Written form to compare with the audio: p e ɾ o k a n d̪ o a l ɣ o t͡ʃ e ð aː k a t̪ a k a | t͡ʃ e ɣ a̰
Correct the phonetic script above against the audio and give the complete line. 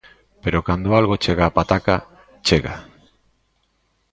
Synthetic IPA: p e ɾ o k a n d̪ o a l ɣ o t͡ʃ e ɣ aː p a t̪ a k a | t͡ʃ e ɣ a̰